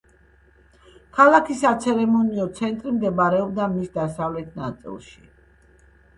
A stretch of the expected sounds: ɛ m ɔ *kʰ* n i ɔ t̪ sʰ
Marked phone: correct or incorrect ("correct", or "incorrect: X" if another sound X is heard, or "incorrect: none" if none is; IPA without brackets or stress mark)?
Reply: incorrect: none